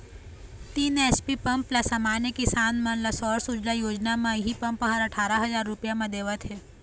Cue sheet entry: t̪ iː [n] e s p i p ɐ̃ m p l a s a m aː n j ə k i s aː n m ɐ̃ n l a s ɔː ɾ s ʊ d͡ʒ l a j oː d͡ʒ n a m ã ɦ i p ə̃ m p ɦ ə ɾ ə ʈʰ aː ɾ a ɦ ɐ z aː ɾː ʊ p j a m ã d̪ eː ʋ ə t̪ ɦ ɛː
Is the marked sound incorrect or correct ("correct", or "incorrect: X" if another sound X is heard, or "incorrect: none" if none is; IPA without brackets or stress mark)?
correct